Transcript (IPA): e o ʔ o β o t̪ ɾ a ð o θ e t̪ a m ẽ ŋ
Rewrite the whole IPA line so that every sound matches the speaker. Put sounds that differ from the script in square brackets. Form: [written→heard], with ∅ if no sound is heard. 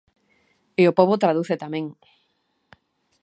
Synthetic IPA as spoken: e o [ʔ→p] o β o t̪ ɾ a ð [o→u] θ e t̪ a m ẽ ŋ